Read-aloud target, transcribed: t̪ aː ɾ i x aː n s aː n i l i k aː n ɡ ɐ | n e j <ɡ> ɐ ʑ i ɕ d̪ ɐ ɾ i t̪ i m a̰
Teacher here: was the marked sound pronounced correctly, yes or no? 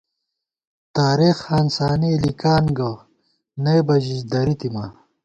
no